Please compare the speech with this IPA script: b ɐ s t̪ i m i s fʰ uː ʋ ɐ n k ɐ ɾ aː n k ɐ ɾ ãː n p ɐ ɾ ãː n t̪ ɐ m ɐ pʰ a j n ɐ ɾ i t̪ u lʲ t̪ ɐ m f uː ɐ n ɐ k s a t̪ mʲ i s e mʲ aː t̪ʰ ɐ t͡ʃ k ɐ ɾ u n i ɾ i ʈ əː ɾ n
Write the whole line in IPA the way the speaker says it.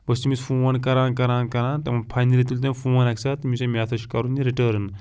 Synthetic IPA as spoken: b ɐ s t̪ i m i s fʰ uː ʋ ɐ n k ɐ ɾ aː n k ɐ ɾ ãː n k ɐ ɾ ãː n t̪ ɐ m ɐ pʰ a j n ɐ l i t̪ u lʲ t̪ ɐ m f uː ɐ n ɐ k s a t̪ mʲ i s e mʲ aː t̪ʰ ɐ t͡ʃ k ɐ ɾ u n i ɾ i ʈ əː ɾ n